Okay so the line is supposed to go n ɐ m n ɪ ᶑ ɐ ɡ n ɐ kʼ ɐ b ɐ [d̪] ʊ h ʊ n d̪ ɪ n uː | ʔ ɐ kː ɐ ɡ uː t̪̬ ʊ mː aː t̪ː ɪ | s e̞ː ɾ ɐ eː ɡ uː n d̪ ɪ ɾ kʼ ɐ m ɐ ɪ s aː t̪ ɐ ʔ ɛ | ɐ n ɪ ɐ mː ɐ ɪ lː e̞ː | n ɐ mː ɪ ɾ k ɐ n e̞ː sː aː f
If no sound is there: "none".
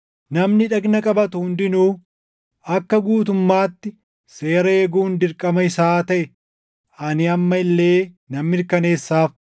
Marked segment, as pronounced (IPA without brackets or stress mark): t̪